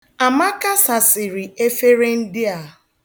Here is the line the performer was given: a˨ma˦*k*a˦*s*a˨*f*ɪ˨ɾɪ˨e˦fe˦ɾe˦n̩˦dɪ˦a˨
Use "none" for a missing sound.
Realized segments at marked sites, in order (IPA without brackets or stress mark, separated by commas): k, s, s